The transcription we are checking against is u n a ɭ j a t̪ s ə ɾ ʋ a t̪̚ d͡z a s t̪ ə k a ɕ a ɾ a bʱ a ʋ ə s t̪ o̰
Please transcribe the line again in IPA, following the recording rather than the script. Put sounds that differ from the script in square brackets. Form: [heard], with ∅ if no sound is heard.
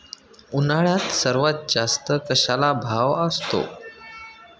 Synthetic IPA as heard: u n a ɭ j a t̪ s ə ɾ ʋ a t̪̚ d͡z a s t̪ ə k [ə] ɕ a [l] a bʱ a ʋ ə s t̪ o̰